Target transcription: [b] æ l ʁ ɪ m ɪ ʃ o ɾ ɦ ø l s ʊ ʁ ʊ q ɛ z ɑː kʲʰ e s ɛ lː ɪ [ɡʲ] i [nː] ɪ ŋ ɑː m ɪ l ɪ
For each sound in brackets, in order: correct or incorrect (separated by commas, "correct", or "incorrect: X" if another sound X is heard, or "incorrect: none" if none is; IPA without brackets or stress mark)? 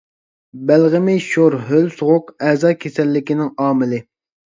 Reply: correct, incorrect: kʲ, incorrect: n